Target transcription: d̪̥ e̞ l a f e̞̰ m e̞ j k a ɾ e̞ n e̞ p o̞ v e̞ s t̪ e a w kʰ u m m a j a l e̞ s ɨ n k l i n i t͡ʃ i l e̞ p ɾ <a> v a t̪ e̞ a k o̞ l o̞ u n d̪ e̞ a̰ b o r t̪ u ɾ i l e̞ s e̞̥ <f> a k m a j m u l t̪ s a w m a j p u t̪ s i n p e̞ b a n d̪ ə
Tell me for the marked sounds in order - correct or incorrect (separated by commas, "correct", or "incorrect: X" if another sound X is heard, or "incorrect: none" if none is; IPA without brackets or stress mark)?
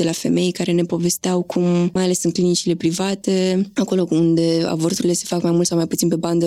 incorrect: i, correct